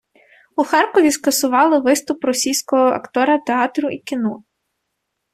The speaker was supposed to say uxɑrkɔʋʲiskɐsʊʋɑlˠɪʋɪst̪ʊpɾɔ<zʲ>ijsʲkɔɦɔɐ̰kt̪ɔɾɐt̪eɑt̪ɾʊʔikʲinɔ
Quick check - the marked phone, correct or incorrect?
incorrect